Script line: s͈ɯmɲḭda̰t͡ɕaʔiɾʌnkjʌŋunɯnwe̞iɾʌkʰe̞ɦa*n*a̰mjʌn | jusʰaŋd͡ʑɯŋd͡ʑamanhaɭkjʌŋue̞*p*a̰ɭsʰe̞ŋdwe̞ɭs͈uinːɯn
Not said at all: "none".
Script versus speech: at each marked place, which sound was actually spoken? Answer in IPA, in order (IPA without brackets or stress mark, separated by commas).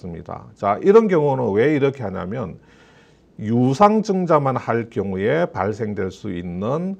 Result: ɲ, p